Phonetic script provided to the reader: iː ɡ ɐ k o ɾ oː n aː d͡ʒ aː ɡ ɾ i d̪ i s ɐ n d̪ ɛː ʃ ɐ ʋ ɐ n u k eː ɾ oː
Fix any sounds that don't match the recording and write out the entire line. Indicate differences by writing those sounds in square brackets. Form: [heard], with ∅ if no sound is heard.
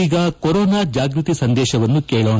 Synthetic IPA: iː ɡ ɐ k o ɾ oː n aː d͡ʒ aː ɡ ɾ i [t̪] i s ɐ n d̪ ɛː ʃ ɐ ʋ ɐ [nː] u k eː [ɭ] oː